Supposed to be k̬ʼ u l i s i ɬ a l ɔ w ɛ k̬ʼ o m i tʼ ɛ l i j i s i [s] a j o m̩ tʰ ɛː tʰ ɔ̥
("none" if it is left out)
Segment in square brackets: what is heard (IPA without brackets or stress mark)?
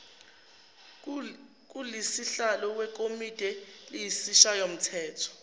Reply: ʃ